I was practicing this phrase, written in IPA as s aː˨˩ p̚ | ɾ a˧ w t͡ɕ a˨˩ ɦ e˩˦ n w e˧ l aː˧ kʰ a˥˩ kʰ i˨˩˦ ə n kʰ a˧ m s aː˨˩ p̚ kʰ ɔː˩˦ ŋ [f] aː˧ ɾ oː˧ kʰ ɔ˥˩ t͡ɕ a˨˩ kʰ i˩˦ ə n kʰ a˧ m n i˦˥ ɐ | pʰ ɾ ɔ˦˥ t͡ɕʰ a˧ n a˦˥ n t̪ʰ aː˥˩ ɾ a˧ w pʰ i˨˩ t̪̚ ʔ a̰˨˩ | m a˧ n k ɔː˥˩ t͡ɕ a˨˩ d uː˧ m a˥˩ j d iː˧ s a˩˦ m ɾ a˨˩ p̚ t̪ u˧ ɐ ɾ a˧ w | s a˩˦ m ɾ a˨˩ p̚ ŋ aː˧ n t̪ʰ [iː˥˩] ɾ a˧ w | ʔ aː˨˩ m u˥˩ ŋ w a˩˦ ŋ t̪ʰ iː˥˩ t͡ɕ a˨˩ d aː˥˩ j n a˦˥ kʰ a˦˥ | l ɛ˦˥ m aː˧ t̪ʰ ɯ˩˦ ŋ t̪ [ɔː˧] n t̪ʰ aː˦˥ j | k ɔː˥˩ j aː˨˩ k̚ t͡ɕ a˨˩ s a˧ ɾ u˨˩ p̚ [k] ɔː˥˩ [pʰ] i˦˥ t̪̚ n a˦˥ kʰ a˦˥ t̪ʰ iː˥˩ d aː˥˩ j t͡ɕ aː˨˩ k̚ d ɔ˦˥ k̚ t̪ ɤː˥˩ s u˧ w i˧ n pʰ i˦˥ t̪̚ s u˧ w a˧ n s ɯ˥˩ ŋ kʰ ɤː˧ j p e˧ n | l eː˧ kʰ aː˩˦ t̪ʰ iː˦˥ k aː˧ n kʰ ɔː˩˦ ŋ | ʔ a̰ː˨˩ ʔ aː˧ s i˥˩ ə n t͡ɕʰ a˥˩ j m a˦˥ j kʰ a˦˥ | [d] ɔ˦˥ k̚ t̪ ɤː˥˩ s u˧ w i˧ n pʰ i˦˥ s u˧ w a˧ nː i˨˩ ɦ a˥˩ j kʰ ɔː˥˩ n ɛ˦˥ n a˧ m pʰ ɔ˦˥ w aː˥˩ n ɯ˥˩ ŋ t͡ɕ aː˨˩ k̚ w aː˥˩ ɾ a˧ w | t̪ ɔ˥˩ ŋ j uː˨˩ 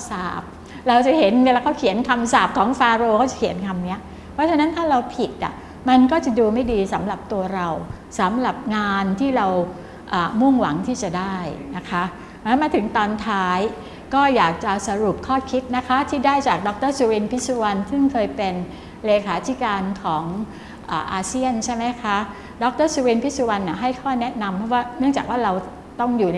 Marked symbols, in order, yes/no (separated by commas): yes, yes, yes, no, no, yes